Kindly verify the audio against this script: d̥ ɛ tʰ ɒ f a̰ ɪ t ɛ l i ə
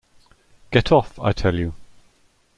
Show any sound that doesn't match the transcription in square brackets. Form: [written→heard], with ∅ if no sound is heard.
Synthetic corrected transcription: [d̥→ɡ̥] ɛ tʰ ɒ f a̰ ɪ [t→tʰ] ɛ l [i→j] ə